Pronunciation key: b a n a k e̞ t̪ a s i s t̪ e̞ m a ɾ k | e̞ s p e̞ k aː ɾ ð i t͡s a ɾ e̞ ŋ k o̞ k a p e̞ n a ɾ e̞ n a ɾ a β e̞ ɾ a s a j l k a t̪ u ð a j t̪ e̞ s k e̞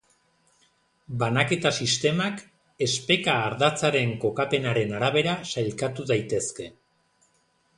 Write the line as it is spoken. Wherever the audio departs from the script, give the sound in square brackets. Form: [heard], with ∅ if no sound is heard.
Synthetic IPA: b a n a k e̞ t̪ a s i s t̪ e̞ m a [∅] k | e̞ s p e̞ k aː ɾ ð [a] t͡s a ɾ e̞ ŋ k o̞ k a p e̞ n a ɾ e̞ n a ɾ a β e̞ ɾ a s a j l k a t̪ u ð a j t̪ e̞ s k e̞